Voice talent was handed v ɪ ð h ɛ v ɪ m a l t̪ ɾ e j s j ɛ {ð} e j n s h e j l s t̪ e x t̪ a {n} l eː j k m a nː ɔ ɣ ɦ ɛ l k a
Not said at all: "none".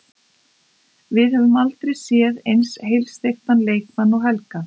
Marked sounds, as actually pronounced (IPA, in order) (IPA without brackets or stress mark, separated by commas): ð, n